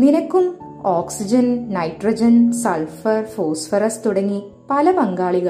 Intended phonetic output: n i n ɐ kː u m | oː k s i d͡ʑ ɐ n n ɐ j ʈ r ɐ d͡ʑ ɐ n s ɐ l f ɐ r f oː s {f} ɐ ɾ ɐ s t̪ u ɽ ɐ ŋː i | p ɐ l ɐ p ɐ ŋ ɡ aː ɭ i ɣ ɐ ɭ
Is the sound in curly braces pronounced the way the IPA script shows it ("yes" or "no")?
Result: yes